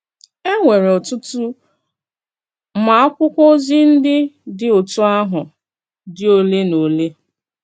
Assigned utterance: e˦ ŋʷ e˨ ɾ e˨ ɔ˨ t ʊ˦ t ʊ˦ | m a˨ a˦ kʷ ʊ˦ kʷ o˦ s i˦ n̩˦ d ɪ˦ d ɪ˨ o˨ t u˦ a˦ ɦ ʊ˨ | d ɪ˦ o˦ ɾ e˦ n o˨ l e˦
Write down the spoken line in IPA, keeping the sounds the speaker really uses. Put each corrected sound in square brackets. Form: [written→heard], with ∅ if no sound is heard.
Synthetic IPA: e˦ ŋʷ e˨ ɾ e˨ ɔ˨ t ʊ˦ t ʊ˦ | m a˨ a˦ kʷ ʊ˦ kʷ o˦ [s→z] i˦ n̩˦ d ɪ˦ d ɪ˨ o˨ t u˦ a˦ ɦ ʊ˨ | d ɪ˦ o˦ [ɾ→l] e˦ n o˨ l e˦